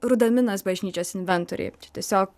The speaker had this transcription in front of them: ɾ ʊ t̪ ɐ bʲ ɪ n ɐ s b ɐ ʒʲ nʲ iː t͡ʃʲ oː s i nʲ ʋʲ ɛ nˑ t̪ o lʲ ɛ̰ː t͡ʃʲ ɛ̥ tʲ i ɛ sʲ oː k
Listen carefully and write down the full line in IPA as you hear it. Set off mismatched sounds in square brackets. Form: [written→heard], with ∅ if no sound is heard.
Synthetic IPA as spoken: ɾ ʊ [t̪→d̪] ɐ [bʲ→mʲ] ɪ n ɐ s b ɐ ʒʲ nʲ iː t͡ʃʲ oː s [i→ɪ] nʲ ʋʲ ɛ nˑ t̪ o [lʲ→ɾʲ] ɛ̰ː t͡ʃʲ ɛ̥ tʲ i ɛ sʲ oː k